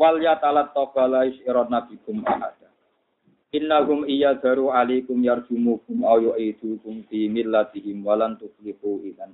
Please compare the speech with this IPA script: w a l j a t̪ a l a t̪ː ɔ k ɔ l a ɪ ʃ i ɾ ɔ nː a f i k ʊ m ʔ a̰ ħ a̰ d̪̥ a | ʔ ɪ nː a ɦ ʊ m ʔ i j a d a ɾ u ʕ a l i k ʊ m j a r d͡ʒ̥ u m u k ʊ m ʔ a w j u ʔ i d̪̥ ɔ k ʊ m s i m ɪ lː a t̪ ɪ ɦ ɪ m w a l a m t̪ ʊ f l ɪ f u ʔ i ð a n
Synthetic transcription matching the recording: w a l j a t̪ a l a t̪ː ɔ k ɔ l a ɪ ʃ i ɾ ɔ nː a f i k ʊ m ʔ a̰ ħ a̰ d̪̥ a | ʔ ɪ nː a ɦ ʊ m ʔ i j a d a ɾ u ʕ a l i k ʊ m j a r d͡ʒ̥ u m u k ʊ m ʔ a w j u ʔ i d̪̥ u k ʊ m f i m ɪ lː a t̪ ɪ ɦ ɪ m w a l a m t̪ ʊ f l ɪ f u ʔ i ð a n